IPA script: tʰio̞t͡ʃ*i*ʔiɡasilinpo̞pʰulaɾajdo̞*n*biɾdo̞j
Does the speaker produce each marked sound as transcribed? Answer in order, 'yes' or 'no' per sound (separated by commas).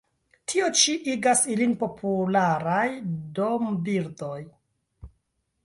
yes, no